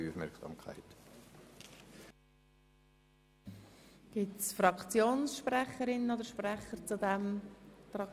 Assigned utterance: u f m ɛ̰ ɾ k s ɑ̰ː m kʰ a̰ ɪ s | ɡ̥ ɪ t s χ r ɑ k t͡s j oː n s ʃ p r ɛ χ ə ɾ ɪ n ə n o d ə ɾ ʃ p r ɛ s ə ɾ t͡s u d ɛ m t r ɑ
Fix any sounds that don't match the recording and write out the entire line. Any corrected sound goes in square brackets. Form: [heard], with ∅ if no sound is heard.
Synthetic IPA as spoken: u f m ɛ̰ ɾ k s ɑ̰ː m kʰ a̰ ɪ [t] | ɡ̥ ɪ t s [f] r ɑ k t͡s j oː n s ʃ p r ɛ χ ə ɾ ɪ n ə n o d ə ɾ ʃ p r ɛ [χ] ə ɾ t͡s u d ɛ m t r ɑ